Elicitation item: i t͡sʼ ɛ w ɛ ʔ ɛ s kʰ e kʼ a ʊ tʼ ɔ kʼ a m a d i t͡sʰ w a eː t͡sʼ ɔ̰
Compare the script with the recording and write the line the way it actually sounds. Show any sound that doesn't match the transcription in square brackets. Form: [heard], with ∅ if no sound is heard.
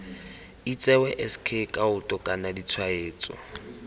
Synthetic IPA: i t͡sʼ ɛ w ɛ ʔ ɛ s kʰ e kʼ a ʊ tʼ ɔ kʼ a [n] a d i t͡sʰ w a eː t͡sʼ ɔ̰

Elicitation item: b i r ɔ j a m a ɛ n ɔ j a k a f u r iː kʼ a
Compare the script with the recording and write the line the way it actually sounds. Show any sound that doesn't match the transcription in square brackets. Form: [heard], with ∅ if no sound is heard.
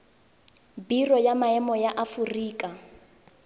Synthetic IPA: b i r ɔ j a m a ɛ [m] ɔ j a [ʔ] a f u r iː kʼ a

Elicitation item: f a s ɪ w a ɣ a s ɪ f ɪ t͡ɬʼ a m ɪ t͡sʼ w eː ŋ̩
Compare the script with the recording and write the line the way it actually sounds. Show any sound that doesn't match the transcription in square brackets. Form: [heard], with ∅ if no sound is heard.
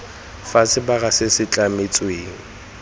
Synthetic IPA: f a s ɪ [b] a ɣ a s ɪ [s] ɪ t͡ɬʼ a m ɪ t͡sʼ w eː ŋ̩

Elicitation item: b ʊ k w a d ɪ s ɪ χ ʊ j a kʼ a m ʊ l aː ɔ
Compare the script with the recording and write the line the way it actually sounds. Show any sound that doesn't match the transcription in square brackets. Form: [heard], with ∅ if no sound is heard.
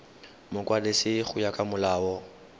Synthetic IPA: [m] ʊ k w a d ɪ s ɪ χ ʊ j a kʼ a m ʊ l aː ɔ

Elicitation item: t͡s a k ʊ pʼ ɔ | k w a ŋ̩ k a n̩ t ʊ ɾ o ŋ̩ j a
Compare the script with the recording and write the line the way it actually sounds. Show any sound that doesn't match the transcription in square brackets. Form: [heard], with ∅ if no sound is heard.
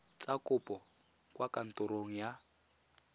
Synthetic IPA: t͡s a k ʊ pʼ ɔ | k w a [∅] k a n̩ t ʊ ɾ o ŋ̩ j a

